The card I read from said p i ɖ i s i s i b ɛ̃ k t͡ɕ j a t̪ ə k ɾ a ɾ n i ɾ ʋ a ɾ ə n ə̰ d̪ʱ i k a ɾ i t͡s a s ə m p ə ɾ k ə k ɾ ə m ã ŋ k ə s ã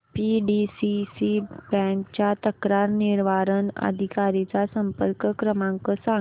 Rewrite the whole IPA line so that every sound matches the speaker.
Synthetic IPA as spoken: p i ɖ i s i s i b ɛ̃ k t͡ɕ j a t̪ ə k ɾ a ɾ n i ɾ ʋ a ɾ ə n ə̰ d̪ʱ i k a ɾ i t͡s a s ə m p ə ɾ k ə k ɾ ə m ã ŋ k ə s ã